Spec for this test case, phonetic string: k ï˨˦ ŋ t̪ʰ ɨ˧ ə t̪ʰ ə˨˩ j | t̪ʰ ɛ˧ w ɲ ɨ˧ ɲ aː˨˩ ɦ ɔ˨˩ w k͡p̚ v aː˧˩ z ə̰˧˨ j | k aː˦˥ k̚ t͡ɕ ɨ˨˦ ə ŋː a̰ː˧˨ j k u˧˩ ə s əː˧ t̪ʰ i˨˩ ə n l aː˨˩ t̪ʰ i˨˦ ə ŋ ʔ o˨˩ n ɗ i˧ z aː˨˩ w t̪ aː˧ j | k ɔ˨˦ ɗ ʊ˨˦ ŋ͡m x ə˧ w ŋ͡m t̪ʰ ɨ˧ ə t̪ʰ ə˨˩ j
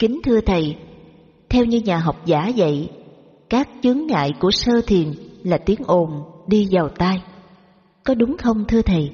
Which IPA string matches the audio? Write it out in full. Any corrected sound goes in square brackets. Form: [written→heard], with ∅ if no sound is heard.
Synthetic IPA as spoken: k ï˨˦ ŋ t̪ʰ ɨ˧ ə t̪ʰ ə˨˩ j | t̪ʰ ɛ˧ w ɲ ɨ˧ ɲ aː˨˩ ɦ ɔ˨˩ w k͡p̚ [v→z] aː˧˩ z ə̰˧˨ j | k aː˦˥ k̚ t͡ɕ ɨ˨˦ ə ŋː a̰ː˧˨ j k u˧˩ ə s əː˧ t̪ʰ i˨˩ ə n l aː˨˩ [t̪ʰ→t̪] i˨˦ ə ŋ ʔ o˨˩ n ɗ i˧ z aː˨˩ w t̪ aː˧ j | k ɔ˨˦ ɗ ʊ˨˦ ŋ͡m x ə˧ w ŋ͡m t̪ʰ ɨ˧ ə t̪ʰ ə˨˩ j